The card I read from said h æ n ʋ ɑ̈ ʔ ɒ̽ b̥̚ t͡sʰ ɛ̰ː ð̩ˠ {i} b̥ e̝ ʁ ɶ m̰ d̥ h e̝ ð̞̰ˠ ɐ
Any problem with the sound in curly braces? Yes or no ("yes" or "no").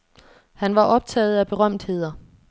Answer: yes